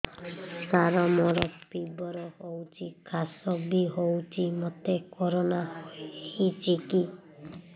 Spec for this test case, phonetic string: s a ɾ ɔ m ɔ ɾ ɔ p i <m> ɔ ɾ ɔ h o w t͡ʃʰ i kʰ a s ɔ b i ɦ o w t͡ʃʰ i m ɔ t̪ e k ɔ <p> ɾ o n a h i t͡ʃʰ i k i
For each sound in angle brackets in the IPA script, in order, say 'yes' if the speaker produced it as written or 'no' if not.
no, no

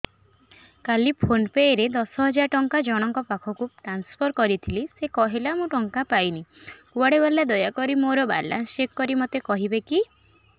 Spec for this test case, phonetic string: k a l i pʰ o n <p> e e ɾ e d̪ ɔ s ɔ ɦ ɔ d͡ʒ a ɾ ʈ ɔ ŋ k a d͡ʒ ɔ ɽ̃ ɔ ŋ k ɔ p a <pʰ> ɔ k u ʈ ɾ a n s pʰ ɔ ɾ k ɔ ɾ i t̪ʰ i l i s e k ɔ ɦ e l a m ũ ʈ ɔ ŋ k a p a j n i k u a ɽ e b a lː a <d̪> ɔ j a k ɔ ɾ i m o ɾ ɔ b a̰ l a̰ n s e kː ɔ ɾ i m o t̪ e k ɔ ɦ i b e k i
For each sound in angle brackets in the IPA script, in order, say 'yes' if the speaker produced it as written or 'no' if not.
yes, no, yes

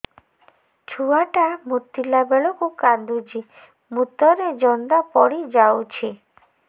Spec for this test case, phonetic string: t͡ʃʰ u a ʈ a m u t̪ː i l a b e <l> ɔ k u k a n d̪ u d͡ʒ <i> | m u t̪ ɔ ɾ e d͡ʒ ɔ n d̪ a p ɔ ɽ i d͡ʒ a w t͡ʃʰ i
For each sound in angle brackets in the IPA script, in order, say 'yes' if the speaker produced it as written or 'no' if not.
no, yes

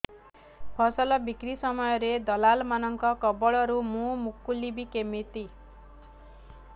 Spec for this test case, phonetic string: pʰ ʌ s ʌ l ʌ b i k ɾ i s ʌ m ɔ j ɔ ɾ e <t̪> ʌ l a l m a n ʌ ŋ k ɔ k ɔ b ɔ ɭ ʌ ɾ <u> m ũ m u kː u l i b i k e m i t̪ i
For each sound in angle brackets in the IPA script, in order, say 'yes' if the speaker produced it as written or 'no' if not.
no, yes

